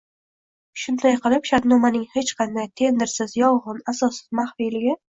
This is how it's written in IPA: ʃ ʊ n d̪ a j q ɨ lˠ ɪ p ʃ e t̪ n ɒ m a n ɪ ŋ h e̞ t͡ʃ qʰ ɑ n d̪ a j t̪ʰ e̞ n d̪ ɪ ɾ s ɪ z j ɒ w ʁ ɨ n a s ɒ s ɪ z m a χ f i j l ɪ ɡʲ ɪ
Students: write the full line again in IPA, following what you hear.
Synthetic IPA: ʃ ʊ n d̪ a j q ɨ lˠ ɪ p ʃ a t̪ n ɒ m a n ɪ ŋ h e̞ t͡ʃ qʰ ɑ n d̪ a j t̪ʰ e̞ n d̪ ɪ ɾ s ɪ z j ɒ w ʁ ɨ n a s ɒ s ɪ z m a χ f i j l ɪ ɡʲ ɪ